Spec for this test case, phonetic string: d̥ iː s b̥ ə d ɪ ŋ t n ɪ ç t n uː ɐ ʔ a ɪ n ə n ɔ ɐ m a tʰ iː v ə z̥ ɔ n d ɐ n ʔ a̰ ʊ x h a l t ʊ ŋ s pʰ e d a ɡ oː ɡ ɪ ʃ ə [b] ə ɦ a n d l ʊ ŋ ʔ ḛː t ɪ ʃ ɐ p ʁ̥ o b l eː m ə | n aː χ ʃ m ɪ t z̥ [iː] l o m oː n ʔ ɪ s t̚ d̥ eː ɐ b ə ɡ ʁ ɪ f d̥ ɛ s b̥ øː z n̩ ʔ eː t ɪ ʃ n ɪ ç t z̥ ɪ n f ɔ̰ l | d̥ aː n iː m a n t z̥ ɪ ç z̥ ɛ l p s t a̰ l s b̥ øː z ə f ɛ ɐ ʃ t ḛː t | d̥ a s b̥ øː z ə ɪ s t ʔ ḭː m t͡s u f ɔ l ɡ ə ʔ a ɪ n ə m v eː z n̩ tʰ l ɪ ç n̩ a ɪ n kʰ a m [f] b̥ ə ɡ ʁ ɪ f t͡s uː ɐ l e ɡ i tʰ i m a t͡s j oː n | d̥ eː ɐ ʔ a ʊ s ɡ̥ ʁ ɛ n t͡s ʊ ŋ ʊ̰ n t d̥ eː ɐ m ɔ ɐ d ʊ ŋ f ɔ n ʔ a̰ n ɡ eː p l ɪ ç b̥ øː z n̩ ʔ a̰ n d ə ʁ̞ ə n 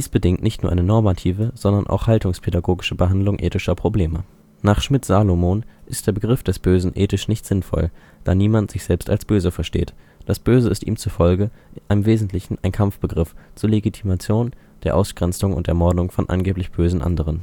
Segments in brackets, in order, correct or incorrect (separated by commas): correct, incorrect, correct